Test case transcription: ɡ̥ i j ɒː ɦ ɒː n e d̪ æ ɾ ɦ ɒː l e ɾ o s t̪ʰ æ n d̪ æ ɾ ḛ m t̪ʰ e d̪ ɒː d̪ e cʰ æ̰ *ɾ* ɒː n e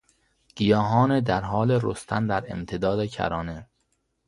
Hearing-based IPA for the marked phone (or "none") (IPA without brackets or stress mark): ɾ